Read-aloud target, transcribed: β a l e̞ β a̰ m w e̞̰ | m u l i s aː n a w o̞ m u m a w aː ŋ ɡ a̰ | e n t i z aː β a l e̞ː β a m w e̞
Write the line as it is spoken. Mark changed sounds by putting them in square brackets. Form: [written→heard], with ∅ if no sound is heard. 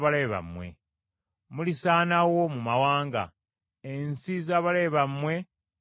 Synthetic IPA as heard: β a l e̞ β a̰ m w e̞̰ | m u l i s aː n a w o̞ m u m a w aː ŋ ɡ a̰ | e n [t→s] i z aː β a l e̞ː β a m w e̞